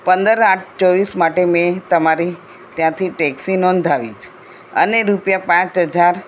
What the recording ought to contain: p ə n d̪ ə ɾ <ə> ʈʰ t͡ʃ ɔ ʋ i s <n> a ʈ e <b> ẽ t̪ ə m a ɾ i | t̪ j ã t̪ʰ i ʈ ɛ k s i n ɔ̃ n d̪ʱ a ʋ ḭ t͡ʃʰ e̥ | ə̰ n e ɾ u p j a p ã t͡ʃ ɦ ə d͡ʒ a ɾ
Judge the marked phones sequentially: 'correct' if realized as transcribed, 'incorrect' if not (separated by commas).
incorrect, incorrect, incorrect